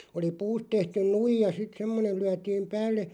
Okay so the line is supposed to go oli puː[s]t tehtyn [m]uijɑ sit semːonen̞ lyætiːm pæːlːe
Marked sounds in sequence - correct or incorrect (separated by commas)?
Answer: correct, incorrect